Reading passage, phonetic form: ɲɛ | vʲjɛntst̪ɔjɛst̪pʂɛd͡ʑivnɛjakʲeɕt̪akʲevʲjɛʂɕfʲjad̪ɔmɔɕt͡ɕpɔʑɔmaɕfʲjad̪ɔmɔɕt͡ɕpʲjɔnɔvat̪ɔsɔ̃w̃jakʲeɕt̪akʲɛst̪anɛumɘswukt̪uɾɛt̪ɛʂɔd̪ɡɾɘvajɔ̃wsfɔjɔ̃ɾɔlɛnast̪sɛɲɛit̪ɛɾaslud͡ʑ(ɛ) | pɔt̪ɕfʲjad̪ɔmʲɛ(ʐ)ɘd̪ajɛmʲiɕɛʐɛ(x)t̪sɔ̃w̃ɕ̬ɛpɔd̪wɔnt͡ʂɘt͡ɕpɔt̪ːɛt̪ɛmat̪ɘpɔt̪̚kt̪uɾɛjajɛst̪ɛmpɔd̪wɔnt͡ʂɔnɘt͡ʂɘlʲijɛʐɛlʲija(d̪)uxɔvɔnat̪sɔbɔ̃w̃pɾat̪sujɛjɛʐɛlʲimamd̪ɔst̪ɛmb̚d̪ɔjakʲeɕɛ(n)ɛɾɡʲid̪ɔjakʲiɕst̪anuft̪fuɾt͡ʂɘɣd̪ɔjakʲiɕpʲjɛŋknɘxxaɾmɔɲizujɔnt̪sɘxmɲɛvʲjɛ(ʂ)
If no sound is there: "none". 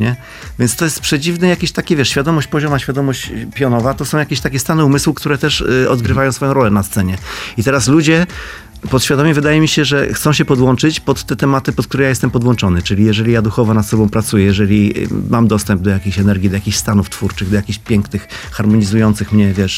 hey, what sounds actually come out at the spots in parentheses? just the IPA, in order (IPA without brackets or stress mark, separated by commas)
ɛ, v, x, d̪, n, ʂ